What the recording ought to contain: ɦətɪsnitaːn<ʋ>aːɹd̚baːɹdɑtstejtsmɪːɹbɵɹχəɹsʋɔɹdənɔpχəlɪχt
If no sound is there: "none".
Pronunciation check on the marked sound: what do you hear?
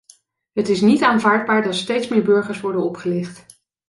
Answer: v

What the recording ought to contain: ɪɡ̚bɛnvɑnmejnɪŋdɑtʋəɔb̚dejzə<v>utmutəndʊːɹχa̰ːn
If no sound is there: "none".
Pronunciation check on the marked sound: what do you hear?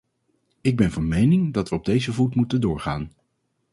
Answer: v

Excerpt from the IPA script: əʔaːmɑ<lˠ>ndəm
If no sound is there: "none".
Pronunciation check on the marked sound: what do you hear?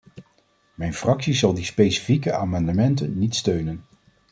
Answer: none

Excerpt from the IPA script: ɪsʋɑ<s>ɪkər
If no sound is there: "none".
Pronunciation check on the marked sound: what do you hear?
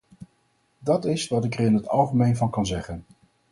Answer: t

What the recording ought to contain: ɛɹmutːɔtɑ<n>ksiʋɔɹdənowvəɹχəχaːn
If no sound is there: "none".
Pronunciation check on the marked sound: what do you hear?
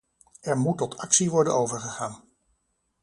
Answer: none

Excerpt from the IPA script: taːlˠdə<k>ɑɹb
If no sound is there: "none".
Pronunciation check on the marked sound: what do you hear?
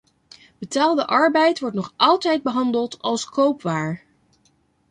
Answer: ʔ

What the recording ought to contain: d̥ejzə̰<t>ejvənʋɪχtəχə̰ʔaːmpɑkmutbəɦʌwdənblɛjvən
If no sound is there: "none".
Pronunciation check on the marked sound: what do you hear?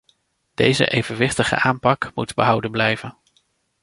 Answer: ʔ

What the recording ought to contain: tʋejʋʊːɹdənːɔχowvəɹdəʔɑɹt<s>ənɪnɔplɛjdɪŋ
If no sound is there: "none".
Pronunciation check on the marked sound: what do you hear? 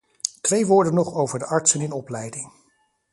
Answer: s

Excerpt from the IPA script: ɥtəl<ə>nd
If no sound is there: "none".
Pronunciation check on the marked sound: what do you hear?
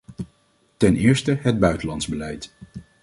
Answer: ɑ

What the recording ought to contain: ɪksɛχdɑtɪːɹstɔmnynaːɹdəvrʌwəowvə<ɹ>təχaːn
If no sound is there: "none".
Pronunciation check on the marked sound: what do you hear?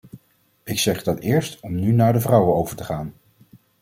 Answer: ɹ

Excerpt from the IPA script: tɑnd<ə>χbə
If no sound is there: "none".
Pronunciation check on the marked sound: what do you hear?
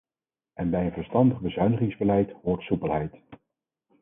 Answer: ə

